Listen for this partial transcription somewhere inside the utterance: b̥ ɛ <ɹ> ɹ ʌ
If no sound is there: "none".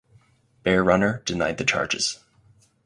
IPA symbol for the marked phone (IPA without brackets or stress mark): ɹ